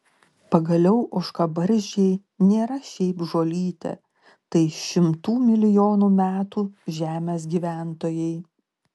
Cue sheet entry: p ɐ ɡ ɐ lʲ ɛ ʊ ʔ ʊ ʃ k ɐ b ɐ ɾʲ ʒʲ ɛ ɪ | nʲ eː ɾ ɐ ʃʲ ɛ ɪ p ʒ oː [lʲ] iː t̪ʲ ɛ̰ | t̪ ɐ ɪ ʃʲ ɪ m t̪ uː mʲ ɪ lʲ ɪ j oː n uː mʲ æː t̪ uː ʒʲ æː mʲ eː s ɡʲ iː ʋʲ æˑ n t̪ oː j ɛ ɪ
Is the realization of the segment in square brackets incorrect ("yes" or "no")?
no